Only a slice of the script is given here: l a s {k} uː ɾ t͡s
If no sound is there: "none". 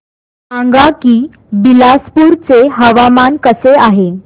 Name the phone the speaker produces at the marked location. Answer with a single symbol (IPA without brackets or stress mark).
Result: p